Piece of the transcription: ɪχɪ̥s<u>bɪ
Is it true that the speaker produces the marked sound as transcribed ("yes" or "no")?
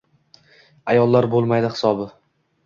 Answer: no